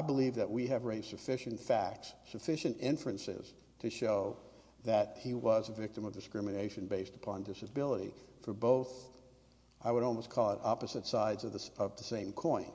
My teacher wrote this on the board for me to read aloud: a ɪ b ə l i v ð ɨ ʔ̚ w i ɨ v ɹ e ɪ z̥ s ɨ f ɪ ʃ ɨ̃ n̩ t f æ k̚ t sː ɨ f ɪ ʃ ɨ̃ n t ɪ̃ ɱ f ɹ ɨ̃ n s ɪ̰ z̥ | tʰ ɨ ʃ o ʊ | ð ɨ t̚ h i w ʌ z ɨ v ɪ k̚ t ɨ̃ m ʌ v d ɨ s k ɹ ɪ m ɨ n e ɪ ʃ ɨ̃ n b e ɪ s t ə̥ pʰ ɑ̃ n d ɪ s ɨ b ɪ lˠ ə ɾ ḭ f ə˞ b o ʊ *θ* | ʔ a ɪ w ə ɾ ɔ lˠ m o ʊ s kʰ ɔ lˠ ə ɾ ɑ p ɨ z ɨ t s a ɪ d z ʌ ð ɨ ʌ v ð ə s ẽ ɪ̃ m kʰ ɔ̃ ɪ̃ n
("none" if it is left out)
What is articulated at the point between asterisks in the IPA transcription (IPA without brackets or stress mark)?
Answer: θ